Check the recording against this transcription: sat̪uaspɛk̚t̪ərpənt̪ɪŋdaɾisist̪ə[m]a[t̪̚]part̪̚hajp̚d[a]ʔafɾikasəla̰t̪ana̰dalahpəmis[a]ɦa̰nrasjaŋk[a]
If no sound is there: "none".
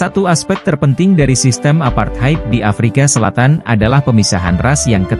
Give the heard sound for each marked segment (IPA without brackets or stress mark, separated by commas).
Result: m, none, i, a, ə